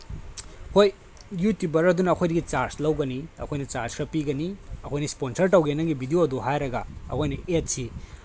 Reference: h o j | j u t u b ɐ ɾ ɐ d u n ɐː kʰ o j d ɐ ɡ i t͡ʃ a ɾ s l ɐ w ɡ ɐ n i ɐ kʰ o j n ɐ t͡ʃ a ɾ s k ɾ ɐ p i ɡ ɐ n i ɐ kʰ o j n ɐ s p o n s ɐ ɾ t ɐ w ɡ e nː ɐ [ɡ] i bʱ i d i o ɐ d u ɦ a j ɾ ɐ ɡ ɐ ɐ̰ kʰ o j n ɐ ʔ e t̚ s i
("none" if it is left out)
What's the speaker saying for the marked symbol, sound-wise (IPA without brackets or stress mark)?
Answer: ɡ